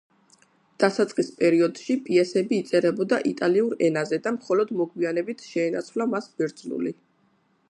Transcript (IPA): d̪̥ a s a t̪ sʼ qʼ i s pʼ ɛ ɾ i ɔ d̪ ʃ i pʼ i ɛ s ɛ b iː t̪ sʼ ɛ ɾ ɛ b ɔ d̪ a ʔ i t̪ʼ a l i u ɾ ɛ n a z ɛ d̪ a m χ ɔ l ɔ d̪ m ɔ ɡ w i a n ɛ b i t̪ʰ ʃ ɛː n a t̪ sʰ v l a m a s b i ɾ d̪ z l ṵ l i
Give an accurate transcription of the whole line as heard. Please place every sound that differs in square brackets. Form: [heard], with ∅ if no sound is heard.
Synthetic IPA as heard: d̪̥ a s a t̪ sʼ qʼ i s pʼ ɛ ɾ i ɔ d̪ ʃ i pʼ i ɛ s ɛ b iː t̪ sʼ ɛ ɾ ɛ b ɔ d̪ a ʔ i t̪ʼ a l i u ɾ ɛ n a z ɛ d̪ a m χ ɔ l ɔ d̪ m ɔ ɡ w i a n ɛ b i t̪ʰ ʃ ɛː n a t̪ sʰ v l a m a s b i ɾ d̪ z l ṵ l i